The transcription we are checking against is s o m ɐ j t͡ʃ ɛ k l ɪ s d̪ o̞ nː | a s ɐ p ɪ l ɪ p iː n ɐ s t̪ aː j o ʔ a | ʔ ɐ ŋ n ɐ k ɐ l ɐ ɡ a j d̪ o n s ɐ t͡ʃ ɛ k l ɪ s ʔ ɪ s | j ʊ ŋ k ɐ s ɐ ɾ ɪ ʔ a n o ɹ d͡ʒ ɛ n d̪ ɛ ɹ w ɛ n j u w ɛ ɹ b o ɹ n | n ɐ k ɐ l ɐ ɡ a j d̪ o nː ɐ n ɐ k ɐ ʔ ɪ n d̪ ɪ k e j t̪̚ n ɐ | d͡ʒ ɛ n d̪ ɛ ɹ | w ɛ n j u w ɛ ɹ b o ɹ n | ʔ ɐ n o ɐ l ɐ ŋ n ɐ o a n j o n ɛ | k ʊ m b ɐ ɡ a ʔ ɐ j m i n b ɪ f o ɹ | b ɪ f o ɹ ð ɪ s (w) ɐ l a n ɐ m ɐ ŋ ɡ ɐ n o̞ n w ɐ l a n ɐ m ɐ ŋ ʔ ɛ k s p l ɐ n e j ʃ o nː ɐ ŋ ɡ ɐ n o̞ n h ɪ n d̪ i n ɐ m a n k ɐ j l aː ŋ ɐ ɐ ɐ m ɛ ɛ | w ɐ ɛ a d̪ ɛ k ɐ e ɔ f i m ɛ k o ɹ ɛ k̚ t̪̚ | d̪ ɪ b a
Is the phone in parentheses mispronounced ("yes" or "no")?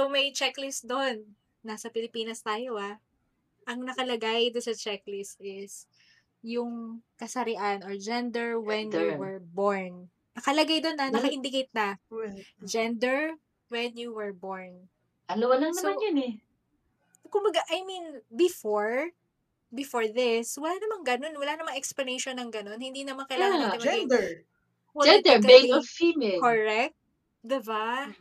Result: no